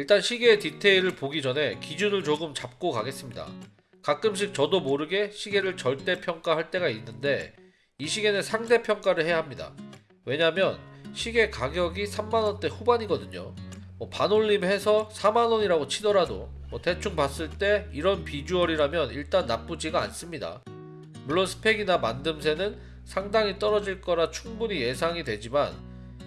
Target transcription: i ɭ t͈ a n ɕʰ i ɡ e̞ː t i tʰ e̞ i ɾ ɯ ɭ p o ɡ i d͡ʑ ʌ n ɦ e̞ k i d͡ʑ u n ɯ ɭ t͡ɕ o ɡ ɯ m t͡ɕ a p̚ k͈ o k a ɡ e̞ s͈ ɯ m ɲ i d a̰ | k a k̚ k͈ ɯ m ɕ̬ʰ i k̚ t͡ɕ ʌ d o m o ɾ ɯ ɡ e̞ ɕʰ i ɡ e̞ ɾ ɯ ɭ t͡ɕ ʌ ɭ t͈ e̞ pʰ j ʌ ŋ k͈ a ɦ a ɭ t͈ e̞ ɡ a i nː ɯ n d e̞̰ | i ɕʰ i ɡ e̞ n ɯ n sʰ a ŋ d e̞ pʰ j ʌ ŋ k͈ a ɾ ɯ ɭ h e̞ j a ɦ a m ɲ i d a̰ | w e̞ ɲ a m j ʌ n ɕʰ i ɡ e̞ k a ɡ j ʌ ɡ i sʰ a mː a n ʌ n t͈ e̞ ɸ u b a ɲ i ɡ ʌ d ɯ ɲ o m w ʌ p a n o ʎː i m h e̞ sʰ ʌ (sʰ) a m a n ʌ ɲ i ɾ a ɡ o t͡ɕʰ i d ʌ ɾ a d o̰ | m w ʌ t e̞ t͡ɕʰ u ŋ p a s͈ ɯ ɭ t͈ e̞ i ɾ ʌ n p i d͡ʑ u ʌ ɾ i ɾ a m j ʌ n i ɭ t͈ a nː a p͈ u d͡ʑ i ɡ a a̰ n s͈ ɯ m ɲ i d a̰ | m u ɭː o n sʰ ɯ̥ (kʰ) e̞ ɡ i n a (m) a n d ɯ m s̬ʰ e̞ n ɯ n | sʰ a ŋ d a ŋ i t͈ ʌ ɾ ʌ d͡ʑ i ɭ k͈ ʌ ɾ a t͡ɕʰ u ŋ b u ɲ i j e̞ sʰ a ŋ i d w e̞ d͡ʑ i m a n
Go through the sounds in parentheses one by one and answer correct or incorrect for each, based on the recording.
correct, incorrect, correct

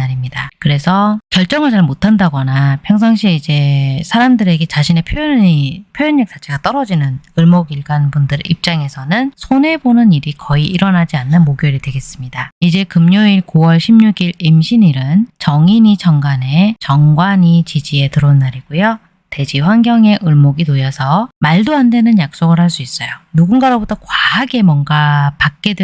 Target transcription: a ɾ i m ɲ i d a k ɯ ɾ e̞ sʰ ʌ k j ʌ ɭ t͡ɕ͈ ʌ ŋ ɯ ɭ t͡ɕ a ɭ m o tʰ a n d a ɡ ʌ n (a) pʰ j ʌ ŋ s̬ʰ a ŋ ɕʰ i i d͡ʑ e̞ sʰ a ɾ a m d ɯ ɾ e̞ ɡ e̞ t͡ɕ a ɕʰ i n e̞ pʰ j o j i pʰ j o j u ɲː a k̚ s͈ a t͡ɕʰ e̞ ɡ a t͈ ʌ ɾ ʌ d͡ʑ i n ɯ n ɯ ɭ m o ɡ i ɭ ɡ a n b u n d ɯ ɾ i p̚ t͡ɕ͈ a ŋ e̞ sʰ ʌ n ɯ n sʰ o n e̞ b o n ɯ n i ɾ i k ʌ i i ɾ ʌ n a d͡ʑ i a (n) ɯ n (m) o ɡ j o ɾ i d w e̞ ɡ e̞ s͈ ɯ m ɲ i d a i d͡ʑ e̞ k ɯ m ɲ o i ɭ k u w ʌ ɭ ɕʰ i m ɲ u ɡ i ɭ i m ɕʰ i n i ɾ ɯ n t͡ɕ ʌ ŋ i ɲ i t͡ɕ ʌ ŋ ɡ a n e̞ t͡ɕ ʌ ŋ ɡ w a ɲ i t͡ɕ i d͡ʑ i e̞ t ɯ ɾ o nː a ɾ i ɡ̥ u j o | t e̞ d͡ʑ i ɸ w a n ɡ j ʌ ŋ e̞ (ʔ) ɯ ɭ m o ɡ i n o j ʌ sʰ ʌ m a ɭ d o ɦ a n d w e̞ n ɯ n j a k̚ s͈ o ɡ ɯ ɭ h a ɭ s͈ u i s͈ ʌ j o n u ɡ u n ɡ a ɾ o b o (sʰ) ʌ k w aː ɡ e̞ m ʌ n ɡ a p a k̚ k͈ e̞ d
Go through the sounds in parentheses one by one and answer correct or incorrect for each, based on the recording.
correct, incorrect, correct, correct, incorrect

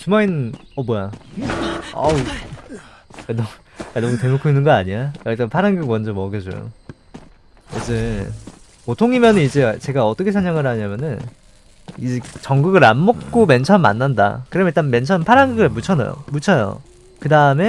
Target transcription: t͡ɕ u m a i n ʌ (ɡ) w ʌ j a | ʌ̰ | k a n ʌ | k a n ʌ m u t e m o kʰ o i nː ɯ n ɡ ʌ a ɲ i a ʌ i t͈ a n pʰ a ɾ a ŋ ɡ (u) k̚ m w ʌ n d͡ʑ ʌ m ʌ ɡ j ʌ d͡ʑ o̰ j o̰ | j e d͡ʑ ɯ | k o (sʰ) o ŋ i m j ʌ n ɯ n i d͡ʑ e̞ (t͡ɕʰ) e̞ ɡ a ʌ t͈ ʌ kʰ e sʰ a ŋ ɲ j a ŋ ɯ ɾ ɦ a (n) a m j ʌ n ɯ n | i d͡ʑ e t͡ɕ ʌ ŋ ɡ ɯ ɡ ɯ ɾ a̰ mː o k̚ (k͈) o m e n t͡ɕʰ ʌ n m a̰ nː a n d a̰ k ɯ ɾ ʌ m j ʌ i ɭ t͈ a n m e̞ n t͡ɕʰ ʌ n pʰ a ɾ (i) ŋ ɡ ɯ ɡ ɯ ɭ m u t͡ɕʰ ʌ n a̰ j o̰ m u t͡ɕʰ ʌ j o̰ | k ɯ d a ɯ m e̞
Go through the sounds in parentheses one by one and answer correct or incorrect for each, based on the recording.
incorrect, incorrect, incorrect, incorrect, incorrect, correct, incorrect

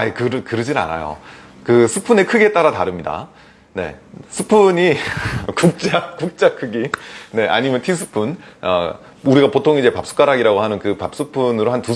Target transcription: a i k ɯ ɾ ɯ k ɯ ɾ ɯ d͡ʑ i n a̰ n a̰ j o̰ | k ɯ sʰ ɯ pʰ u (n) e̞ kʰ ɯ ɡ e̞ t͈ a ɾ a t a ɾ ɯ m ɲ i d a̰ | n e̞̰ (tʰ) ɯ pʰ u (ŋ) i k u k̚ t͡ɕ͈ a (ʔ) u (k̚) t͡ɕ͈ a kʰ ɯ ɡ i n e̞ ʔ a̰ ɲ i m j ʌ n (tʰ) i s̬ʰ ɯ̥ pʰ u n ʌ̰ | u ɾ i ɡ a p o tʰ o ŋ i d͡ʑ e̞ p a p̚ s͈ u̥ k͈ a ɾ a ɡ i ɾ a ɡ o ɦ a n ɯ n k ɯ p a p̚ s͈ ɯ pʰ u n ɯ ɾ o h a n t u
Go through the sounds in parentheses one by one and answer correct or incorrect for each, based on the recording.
correct, incorrect, incorrect, incorrect, correct, correct

